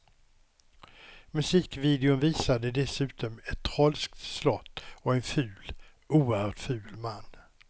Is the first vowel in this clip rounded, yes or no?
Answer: yes